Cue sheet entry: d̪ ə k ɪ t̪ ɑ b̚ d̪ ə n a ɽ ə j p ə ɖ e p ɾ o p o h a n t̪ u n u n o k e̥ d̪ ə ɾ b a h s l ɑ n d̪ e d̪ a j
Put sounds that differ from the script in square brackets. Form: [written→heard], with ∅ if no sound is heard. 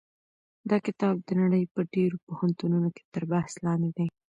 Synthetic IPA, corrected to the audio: d̪ [ə→ɑ] k ɪ t̪ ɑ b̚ d̪ ə n a ɽ ə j p ə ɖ e [p→∅] ɾ o p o h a n t̪ u n u n o k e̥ [d̪→t̪] ə ɾ b a h s l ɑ n d̪ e d̪ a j